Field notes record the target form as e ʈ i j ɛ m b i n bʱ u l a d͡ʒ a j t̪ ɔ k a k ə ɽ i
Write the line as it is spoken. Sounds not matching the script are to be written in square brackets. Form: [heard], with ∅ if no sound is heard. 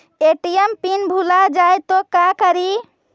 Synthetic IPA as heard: e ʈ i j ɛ m [p] i n bʱ u l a d͡ʒ a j t̪ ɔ k a k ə [ɾ] i